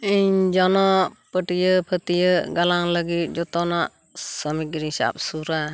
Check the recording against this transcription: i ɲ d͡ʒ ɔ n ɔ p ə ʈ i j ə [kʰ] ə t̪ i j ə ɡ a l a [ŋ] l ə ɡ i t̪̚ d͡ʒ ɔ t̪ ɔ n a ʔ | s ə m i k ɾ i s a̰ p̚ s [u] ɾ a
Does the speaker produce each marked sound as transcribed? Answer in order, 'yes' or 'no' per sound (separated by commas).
no, yes, yes